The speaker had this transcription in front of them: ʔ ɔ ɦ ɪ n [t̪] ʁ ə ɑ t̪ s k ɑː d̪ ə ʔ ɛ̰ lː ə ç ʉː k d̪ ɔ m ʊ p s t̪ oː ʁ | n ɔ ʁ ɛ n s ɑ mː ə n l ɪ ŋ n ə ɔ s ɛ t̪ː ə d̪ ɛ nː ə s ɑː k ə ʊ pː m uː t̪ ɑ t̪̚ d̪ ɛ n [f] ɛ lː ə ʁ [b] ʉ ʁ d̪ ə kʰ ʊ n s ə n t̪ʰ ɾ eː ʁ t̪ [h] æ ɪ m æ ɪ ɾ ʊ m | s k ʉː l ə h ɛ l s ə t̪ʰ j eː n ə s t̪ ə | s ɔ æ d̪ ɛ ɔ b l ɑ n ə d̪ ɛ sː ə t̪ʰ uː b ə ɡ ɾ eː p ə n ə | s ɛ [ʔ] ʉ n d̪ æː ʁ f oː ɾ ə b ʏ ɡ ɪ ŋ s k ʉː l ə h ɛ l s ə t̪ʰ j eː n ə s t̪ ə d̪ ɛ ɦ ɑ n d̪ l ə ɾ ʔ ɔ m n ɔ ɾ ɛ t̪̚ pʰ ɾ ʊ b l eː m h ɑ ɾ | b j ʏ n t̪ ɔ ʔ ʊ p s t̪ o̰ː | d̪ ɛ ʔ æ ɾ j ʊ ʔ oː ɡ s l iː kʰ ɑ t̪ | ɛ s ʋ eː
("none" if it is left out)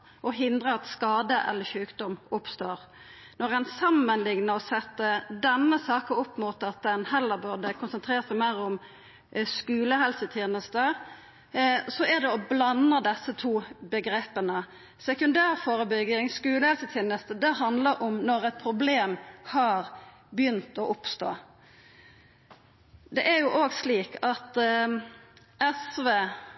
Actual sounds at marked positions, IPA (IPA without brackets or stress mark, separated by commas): d̪, h, b, s, k